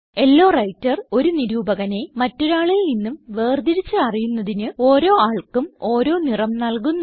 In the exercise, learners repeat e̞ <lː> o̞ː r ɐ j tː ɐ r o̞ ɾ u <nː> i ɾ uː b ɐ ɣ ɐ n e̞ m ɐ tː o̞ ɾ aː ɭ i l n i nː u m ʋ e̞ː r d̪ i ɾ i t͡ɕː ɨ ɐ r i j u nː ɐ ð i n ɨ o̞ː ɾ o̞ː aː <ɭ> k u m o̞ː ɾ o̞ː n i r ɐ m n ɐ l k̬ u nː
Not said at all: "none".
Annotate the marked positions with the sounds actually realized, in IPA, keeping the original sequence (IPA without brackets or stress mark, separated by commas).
lː, n, ɭ